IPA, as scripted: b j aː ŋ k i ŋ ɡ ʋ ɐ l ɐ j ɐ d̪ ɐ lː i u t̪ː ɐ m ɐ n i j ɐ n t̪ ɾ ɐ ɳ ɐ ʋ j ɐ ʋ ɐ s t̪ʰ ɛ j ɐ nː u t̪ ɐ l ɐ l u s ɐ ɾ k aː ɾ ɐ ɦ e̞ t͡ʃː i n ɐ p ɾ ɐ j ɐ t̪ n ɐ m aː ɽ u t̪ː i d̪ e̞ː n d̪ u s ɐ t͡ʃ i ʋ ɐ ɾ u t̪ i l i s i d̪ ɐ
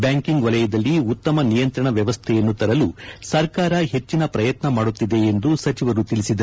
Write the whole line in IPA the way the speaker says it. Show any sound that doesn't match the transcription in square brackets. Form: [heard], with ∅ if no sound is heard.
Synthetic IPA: b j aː ŋ k i ŋ ɡ ʋ ɐ l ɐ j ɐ d̪ ɐ lː i u t̪ː ɐ m ɐ n i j ɐ n t̪ ɾ ɐ ɳ ɐ ʋ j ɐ ʋ ɐ s t̪ʰ ɛ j ɐ nː u t̪ ɐ [ɾ] ɐ l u s ɐ ɾ k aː ɾ ɐ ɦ e̞ t͡ʃː i n ɐ p ɾ ɐ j ɐ t̪ n ɐ m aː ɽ u t̪ː i d̪ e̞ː n d̪ u s ɐ t͡ʃ i ʋ ɐ ɾ u t̪ i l i s i d̪ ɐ